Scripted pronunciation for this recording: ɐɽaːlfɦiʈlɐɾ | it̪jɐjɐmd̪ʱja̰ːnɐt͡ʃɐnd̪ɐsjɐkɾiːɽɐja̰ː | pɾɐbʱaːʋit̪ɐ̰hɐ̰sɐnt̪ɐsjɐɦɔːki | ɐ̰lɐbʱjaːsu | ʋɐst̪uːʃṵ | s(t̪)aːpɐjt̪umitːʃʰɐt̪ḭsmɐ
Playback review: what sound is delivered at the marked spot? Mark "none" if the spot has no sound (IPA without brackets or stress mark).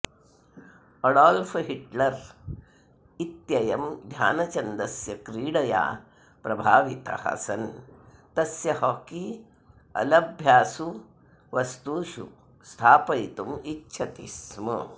t̪ʰ